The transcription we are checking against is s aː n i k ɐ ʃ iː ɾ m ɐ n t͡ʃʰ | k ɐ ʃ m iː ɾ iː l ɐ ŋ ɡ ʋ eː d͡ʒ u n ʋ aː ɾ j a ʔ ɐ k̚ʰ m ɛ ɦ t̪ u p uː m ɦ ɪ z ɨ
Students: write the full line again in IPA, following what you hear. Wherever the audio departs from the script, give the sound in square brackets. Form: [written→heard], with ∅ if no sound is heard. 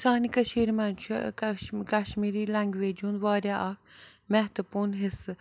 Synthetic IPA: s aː n i k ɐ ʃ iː ɾ m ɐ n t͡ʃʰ | k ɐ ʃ m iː ɾ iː l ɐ ŋ ɡ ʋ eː d͡ʒ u n ʋ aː ɾ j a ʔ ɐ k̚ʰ m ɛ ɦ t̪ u p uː [m→n] ɦ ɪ [z→s] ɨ